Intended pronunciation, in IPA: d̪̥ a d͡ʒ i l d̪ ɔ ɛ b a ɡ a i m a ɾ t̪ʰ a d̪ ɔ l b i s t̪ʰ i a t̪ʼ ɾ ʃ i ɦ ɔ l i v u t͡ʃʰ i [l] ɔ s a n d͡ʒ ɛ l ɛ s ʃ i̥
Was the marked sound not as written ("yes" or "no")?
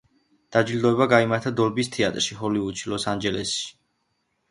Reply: no